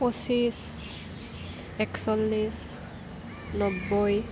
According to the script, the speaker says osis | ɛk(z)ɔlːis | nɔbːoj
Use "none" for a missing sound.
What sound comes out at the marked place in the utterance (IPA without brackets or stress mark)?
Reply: s